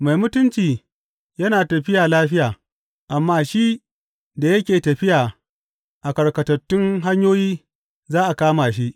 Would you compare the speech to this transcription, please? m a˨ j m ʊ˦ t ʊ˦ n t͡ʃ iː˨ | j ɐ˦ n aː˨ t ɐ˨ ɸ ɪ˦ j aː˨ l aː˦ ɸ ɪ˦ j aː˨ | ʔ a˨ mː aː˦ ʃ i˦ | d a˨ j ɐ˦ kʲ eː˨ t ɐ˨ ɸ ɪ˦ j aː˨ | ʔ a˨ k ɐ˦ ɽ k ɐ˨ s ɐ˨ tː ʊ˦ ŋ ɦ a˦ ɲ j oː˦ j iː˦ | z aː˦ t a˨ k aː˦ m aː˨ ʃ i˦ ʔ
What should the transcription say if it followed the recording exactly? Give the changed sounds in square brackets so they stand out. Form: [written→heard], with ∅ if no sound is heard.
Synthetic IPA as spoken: m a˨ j m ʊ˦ t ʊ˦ n t͡ʃ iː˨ | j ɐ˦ n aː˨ t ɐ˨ ɸ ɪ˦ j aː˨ l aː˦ ɸ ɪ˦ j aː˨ | ʔ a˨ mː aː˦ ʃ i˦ | d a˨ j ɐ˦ kʲ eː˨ t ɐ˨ ɸ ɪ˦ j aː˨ | ʔ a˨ k [ɐ˦→ɐ˨] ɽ k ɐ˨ [s→t] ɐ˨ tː ʊ˦ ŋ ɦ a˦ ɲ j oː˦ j iː˦ | z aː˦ [t→ʔ] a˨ k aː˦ m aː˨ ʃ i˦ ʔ